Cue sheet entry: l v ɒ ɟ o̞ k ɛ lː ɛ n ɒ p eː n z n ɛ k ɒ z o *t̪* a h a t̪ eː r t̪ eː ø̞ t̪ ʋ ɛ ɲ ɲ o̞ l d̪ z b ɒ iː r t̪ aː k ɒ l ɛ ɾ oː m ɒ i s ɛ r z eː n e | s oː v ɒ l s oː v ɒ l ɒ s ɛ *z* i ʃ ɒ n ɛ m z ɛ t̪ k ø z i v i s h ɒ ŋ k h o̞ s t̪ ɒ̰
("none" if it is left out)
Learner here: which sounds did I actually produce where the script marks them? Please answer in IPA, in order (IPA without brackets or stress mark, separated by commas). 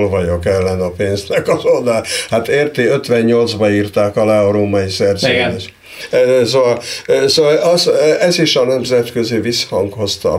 d̪, z